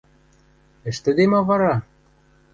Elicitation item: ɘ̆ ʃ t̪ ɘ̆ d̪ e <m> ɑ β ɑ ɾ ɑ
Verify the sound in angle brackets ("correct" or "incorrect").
correct